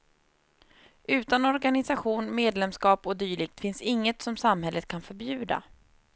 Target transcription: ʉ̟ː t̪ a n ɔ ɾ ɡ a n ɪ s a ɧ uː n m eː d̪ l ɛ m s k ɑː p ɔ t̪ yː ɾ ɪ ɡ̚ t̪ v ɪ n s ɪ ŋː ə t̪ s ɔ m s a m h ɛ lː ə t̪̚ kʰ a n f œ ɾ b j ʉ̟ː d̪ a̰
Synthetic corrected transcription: ʉ̟ː t̪ a n ɔ ɾ ɡ a n ɪ s a ɧ uː n m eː d̪ l ɛ m s k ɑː p ɔ d̪ yː ɭ ɪ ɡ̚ t̪ f ɪ n s ɪ ŋː ə t̪ s ɔ m s a m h ɛ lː ə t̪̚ kʰ a n f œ ɾ b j ʉ̟ː d̪ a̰